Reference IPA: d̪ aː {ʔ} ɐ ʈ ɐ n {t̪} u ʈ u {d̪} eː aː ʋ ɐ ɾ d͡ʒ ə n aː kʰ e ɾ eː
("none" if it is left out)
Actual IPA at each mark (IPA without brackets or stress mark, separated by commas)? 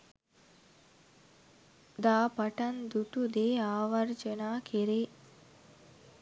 p, d̪, d̪